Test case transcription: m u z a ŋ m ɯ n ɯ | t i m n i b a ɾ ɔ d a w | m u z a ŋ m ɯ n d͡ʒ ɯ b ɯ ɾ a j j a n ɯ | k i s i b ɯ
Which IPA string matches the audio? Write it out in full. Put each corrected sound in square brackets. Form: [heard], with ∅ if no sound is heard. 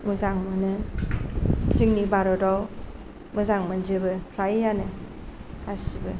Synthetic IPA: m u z a ŋ m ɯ n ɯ | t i [ŋ] n i b a ɾ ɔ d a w | m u z a ŋ m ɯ n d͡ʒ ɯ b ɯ ɾ a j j a n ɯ | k [a] s i b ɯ